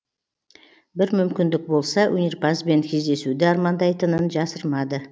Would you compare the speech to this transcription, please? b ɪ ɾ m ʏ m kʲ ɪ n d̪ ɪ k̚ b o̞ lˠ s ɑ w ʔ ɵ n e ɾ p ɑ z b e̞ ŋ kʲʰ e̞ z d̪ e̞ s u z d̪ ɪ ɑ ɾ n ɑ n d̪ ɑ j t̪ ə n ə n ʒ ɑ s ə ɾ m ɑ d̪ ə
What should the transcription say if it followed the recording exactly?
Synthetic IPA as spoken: b ɪ ɾ m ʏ m kʲ ɪ n d̪ ɪ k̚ b o̞ lˠ s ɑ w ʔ ɵ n e ɾ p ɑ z b e̞ ŋ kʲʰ e̞ z d̪ e̞ s u d̪ ɪ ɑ ɾ m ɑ n d̪ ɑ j t̪ ə n ə n ʒ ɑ s ə ɾ m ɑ d̪ ə